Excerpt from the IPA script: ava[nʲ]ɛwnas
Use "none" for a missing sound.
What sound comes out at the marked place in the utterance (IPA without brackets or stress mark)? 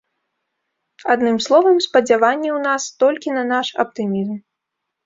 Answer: nʲː